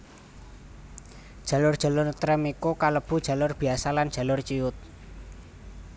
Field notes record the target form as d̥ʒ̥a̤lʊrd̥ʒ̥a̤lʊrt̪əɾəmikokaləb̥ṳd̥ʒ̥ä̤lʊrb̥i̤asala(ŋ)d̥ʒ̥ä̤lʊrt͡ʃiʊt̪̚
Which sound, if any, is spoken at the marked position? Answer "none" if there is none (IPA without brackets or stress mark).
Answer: n